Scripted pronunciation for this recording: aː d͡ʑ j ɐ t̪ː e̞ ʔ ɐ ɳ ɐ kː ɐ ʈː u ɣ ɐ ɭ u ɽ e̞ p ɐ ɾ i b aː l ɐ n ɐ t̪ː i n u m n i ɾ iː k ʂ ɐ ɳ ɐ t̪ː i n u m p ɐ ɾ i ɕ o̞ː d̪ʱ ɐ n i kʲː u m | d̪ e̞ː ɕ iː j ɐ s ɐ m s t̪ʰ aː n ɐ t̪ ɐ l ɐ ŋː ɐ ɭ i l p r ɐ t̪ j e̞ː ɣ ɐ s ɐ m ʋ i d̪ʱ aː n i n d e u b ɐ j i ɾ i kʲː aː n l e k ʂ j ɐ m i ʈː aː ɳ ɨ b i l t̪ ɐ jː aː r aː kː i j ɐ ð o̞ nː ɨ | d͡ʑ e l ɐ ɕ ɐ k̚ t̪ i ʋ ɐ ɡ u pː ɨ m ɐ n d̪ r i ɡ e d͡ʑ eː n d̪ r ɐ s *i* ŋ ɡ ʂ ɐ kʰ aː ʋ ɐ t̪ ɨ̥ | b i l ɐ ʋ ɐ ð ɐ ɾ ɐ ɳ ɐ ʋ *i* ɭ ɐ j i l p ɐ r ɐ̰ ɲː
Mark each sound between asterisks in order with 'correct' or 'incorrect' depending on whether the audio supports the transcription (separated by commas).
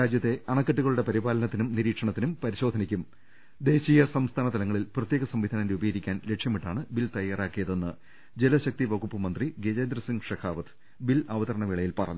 correct, correct